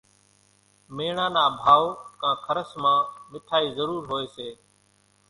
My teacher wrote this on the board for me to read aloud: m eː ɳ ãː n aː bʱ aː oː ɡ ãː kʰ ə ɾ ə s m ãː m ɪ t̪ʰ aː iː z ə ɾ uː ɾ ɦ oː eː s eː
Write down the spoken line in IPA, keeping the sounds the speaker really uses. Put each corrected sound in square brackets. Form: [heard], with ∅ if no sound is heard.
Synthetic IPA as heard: m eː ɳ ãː n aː bʱ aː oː [k] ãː kʰ ə ɾ ə s m ãː m ɪ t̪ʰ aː iː z ə ɾ uː ɾ ɦ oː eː s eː